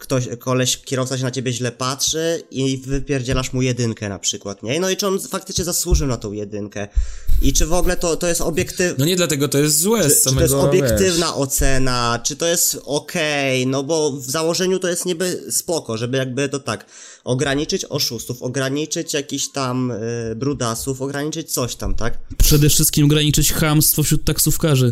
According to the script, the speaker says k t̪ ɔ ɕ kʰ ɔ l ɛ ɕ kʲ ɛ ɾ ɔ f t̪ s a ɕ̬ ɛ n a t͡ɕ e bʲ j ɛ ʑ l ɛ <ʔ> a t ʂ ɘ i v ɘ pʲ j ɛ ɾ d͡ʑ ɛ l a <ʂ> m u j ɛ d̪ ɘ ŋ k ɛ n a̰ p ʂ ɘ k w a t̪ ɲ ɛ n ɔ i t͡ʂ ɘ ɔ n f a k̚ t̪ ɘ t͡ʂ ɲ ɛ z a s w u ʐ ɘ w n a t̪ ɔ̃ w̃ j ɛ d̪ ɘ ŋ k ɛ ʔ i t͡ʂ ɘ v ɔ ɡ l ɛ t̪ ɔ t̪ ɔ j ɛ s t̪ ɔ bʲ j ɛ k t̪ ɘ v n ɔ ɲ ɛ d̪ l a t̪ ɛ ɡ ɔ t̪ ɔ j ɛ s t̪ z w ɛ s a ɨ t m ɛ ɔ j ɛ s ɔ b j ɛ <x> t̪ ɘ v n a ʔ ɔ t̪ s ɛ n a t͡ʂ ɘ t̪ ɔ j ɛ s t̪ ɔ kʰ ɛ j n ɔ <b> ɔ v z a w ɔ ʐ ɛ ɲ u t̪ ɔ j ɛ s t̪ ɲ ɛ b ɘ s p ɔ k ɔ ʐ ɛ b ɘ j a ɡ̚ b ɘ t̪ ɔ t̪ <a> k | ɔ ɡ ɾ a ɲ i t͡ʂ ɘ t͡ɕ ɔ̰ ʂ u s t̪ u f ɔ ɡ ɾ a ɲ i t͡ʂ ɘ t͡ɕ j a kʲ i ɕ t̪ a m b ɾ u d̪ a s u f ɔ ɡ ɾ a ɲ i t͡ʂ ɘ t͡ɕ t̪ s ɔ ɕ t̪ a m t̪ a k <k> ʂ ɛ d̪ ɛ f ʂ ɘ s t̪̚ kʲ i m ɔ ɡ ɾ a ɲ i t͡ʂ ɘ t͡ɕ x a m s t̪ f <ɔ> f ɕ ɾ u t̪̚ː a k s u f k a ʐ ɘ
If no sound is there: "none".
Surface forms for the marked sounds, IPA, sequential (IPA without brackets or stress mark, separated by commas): p, ʂ, k, b, a, p, ɔ